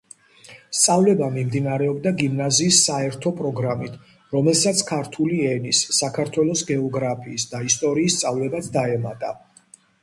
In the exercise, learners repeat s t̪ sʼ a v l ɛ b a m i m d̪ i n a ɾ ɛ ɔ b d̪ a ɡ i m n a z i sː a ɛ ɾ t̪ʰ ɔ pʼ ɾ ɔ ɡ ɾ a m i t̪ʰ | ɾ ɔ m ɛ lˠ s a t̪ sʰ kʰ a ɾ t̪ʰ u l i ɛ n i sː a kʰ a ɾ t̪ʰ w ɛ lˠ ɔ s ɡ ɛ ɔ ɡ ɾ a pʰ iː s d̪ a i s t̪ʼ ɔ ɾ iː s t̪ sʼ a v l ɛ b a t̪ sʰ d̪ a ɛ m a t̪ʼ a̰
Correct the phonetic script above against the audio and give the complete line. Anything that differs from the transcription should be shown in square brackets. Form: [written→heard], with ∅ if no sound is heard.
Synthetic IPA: s t̪ sʼ a v l ɛ b a m i m d̪ i n a ɾ ɛ ɔ b d̪ a ɡ i m n a z [i→iː] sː a ɛ ɾ t̪ʰ ɔ pʼ ɾ ɔ ɡ ɾ a m i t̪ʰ | ɾ ɔ m ɛ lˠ s a t̪ sʰ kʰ a ɾ t̪ʰ u l i ɛ n i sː a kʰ a ɾ t̪ʰ w ɛ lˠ ɔ s ɡ ɛ ɔ ɡ ɾ a pʰ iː s d̪ a i s t̪ʼ ɔ ɾ iː s t̪ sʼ a v l ɛ b a t̪ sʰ d̪ a ɛ m a t̪ʼ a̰

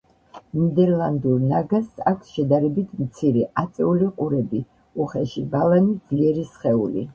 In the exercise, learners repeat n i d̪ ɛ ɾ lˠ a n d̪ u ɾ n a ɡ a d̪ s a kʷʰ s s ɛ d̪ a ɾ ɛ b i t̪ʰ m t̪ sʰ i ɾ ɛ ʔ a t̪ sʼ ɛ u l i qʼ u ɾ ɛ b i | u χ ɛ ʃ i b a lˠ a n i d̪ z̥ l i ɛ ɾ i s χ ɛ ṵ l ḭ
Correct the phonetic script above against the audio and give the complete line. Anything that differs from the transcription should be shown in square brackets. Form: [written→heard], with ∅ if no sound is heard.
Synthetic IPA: n i d̪ ɛ ɾ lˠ a n d̪ u ɾ n a ɡ a [d̪→∅] s a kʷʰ s [s→ʃ] ɛ d̪ a ɾ ɛ b i t̪ʰ m t̪ sʰ i ɾ ɛ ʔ a t̪ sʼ ɛ u l i qʼ u ɾ ɛ b i | u χ ɛ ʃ i b a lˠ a n i d̪ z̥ l i ɛ ɾ i s χ ɛ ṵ l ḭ

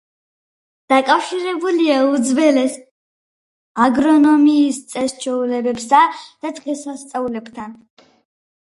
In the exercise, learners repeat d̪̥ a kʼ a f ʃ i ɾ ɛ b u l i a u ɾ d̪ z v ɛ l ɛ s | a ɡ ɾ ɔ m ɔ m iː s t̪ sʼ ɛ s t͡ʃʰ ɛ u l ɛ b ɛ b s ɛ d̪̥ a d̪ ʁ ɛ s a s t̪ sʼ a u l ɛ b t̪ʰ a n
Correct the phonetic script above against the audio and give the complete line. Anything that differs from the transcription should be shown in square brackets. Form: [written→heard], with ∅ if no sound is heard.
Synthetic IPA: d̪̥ a kʼ a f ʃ i ɾ ɛ b u l i a u [ɾ→∅] d̪ z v ɛ l ɛ s | a ɡ ɾ ɔ [m→n] ɔ m iː s t̪ sʼ ɛ s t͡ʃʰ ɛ u l ɛ b ɛ b s [ɛ→a] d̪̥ a d̪ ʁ ɛ s a s t̪ sʼ a u l ɛ b t̪ʰ a n

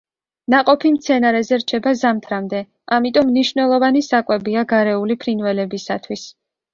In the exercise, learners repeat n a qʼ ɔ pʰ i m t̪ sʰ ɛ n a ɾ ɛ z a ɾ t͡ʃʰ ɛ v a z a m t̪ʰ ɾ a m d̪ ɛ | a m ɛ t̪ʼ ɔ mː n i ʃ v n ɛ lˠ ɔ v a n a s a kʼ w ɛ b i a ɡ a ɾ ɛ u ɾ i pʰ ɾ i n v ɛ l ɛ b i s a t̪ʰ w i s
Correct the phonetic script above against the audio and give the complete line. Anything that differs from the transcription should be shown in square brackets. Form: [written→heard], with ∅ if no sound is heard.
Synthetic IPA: n a qʼ ɔ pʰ i m t̪ sʰ ɛ n a ɾ ɛ z [a→ɛ] ɾ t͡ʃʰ ɛ [v→b] a z a m t̪ʰ ɾ a m d̪ ɛ | a m [ɛ→i] t̪ʼ ɔ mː n i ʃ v n ɛ lˠ ɔ v a n [a→i] s a kʼ w ɛ b i a ɡ a ɾ ɛ u [ɾ→l] i pʰ ɾ i n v ɛ l ɛ b i s a t̪ʰ w i s

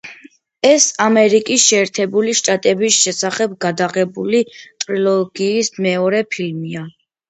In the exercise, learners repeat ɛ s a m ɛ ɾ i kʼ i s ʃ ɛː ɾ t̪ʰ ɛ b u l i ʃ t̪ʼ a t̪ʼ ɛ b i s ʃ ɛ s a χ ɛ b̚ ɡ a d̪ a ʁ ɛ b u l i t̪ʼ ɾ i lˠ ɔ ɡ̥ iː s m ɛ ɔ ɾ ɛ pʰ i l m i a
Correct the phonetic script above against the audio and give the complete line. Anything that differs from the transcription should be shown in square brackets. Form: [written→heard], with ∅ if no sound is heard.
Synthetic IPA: ɛ s a m ɛ ɾ i kʼ i s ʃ ɛː ɾ t̪ʰ ɛ b u l i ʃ t̪ʼ a t̪ʼ ɛ b i s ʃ ɛ s a χ ɛ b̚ ɡ a d̪ a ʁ ɛ b u l i t̪ʼ ɾ i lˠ ɔ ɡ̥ iː s m ɛ ɔ ɾ ɛ pʰ i l m i a

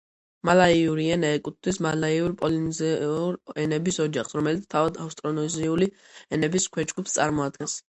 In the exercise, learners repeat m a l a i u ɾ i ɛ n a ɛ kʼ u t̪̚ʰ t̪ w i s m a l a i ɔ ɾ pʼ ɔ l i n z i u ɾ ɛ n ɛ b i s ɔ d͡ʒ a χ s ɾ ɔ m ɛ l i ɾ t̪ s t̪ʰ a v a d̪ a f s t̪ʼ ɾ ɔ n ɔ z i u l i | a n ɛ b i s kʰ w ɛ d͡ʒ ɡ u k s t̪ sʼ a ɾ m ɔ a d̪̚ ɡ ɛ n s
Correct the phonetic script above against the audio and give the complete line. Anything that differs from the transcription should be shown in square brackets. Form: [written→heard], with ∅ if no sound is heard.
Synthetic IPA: m a l a i u ɾ i ɛ n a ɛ kʼ u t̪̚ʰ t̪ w i s m a l a i [ɔ→u] ɾ pʼ ɔ l i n z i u ɾ ɛ n ɛ b i s ɔ d͡ʒ a χ s ɾ ɔ m ɛ l i [ɾ→∅] t̪ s t̪ʰ a v a d̪ a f s t̪ʼ ɾ ɔ n ɔ z i u l i | [a→ɛ] n ɛ b i s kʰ w ɛ d͡ʒ ɡ u [k→p] s t̪ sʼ a ɾ m ɔ a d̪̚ ɡ ɛ n s

